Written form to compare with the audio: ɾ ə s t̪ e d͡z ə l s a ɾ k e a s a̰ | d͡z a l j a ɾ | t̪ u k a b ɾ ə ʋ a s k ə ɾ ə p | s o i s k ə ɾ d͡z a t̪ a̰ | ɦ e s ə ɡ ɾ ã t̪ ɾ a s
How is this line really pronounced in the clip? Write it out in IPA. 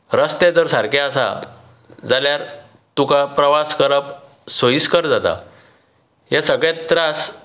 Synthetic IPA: ɾ ə s t̪ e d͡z ə ɾ s a ɾ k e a s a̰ | d͡z a l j a ɾ | t̪ u k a p ɾ ə ʋ a s k ə ɾ ə p | s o i s k ə ɾ d͡z a t̪ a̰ | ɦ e s ə ɡ ɭ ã t̪ ɾ a s